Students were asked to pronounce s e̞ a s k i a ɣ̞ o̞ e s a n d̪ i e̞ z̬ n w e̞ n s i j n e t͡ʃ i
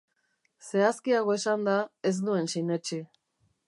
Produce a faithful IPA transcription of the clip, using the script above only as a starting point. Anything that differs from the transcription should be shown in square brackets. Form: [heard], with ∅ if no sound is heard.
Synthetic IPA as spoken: s e̞ a s k i a ɣ̞ o̞ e s a n d̪ [a] e̞ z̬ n [u] e̞ n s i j n e t͡ʃ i

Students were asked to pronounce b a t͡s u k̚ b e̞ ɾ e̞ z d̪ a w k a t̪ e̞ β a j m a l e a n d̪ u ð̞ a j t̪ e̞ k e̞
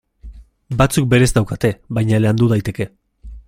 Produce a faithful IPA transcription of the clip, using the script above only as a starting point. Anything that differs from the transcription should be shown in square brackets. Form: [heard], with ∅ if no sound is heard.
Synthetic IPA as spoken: b a t͡s u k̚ b e̞ ɾ e̞ z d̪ a w k a t̪ e̞ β a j [ɲ] a l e a n d̪ u ð̞ a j t̪ e̞ k e̞

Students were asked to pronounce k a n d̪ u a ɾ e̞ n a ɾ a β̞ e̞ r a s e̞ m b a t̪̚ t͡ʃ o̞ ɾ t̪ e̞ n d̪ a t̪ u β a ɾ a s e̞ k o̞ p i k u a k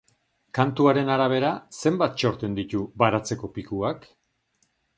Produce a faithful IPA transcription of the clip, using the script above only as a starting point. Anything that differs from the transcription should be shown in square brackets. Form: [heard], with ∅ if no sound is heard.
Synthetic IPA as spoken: k a n [t̪] u a ɾ e̞ n a ɾ a β̞ e̞ [ɾ] a s e̞ m b a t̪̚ t͡ʃ o̞ ɾ t̪ e̞ n d̪ [i] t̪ u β a ɾ a [t͡s] e̞ k o̞ p i k u a k

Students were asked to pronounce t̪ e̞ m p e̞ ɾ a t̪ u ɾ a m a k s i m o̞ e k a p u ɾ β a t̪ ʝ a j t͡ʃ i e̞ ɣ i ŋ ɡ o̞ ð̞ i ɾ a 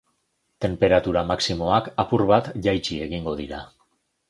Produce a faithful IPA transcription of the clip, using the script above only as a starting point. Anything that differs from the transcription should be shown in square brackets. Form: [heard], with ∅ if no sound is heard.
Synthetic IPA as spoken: t̪ e̞ m p e̞ ɾ a t̪ u ɾ a m a k s i m o̞ [a] k a p u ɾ β a t̪ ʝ a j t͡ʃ i e̞ ɣ i ŋ ɡ o̞ ð̞ i ɾ a

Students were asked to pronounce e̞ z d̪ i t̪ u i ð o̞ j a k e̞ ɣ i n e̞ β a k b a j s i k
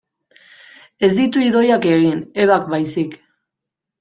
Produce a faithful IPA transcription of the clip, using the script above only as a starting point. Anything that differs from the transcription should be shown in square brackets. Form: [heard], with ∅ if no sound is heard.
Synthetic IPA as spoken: e̞ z d̪ i t̪ u i ð o̞ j a k e̞ ɣ i n e̞ β a k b a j s i k

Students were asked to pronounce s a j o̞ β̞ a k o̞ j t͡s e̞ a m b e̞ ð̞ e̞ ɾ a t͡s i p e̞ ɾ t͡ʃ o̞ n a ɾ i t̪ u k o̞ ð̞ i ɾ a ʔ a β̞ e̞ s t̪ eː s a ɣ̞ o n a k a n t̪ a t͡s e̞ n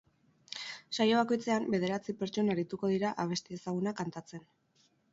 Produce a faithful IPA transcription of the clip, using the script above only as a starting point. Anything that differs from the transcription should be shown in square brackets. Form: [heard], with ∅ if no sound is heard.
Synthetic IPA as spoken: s a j o̞ β̞ a k o̞ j t͡s e̞ a m b e̞ ð̞ e̞ ɾ a t͡s i p e̞ ɾ t͡ʃ o̞ n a ɾ i t̪ u k o̞ ð̞ i ɾ a ʔ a β̞ e̞ s t̪ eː s a ɣ̞ [u] n a k a n t̪ a t͡s e̞ n

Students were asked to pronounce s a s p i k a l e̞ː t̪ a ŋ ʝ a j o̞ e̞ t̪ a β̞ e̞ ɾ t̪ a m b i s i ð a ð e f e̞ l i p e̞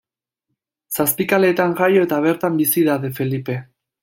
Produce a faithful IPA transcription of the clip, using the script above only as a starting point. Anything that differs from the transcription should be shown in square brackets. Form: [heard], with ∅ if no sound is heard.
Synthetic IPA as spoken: s a s p i k a l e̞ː t̪ a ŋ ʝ a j o̞ e̞ t̪ a β̞ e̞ ɾ t̪ a m b i s i ð a ð e f e̞ l i p e̞

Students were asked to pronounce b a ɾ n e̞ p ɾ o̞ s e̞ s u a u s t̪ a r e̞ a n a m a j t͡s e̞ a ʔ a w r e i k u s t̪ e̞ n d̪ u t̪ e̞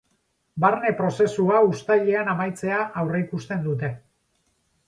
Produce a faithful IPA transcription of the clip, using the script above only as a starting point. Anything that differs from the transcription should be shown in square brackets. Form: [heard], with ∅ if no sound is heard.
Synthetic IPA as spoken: b a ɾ n e̞ p ɾ o̞ s e̞ s u a u s t̪ a [ʎ] e̞ a n a m a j t͡s e̞ a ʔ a w r e i k u s t̪ e̞ n d̪ u t̪ e̞

